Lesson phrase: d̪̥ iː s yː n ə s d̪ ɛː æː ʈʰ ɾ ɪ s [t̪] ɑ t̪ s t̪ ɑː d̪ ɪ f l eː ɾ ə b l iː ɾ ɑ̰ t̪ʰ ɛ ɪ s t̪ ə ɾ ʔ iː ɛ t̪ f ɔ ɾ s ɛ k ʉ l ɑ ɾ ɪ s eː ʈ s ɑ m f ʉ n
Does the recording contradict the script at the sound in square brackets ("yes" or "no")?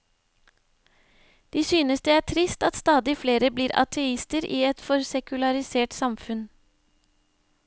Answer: no